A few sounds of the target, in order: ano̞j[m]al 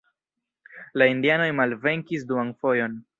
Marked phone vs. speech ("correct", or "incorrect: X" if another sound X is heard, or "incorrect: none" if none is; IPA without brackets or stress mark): correct